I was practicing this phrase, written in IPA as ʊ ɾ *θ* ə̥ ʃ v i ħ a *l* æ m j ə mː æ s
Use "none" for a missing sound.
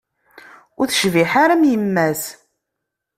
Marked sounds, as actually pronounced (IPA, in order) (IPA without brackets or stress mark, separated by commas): θ, ɾ